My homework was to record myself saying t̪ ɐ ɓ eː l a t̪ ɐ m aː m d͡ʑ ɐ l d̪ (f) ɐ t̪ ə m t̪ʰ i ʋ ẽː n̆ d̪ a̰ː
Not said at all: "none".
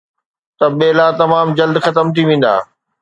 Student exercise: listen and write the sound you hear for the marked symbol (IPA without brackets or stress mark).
x